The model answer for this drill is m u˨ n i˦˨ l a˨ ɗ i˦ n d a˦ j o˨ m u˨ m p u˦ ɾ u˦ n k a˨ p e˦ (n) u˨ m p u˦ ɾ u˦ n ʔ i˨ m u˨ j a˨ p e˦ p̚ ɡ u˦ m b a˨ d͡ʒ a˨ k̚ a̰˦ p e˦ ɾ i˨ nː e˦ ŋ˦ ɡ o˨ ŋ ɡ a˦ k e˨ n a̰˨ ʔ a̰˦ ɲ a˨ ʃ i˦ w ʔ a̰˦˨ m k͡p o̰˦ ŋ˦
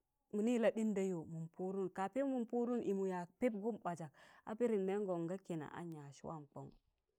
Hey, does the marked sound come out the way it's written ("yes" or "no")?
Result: no